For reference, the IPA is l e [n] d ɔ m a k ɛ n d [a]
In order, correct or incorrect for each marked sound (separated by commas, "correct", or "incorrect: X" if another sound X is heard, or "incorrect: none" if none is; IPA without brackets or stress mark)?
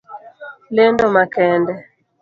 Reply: correct, incorrect: ɛ